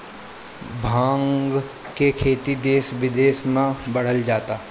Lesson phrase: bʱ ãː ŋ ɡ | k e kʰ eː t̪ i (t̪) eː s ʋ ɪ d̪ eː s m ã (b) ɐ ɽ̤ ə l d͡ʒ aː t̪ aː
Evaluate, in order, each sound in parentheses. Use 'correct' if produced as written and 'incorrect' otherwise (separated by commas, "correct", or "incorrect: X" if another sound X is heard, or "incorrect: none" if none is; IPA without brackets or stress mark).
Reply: incorrect: d̪, correct